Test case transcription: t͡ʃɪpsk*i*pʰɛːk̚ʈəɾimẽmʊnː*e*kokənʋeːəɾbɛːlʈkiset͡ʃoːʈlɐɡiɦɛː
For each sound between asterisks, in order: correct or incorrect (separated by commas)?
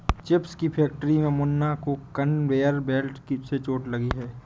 correct, incorrect